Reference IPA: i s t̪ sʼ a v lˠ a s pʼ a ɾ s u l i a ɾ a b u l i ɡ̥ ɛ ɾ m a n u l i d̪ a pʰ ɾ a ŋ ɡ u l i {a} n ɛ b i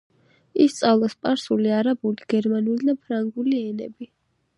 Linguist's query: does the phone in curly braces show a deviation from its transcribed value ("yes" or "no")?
yes